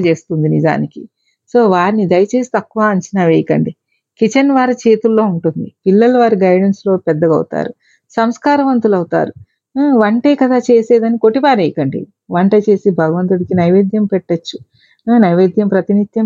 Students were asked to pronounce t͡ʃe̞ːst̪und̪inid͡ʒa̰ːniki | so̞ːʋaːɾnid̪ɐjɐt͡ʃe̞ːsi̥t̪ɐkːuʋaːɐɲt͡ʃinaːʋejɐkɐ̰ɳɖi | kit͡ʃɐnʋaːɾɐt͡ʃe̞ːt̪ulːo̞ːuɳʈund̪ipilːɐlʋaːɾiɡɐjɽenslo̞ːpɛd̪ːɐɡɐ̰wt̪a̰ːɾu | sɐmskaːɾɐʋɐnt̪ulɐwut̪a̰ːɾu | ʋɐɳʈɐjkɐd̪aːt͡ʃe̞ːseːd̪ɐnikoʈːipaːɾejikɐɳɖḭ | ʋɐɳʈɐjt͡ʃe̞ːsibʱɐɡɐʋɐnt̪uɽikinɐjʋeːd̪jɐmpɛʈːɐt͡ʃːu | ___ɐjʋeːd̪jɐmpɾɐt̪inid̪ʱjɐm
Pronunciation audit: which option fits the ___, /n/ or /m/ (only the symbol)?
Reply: n